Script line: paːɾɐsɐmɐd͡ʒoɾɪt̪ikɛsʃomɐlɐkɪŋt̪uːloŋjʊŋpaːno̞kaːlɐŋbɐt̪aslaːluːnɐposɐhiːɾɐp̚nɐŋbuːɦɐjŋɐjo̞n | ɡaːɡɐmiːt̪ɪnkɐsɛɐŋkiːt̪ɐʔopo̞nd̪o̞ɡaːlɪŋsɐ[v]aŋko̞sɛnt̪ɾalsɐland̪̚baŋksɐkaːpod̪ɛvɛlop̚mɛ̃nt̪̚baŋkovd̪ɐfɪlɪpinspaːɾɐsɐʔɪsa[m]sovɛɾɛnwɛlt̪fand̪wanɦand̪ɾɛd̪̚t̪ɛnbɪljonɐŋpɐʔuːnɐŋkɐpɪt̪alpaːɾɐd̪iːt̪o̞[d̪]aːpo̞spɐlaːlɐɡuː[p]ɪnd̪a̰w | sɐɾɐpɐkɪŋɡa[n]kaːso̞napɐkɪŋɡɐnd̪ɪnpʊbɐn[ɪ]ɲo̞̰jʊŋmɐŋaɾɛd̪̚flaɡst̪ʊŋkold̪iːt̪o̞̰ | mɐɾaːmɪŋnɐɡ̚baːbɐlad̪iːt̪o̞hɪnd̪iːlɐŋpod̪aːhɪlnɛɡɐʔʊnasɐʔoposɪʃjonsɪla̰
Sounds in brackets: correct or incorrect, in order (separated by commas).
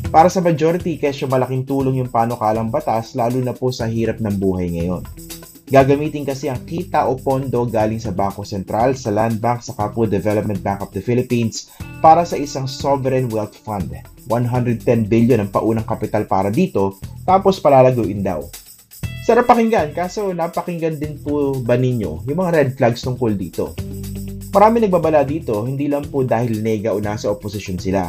incorrect, incorrect, incorrect, incorrect, correct, correct